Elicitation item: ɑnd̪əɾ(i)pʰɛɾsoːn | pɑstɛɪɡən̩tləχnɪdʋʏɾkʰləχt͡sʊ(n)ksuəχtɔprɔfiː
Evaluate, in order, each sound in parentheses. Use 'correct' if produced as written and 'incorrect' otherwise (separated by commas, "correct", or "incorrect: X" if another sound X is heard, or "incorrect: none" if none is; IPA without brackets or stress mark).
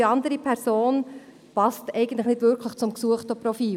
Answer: correct, incorrect: m